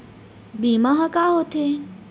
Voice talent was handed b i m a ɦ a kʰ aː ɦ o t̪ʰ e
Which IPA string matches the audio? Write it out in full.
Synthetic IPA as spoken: b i m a ɦ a k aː ɦ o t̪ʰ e